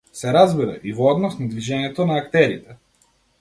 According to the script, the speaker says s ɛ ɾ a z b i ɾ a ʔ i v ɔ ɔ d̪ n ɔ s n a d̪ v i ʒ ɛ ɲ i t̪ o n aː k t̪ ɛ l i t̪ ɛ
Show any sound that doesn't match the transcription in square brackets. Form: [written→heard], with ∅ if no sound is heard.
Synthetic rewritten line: s ɛ ɾ a z b i ɾ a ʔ i v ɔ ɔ d̪ n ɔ s n a d̪ v i ʒ ɛ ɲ [i→ɛ] t̪ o n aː k t̪ ɛ [l→ɾ] i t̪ ɛ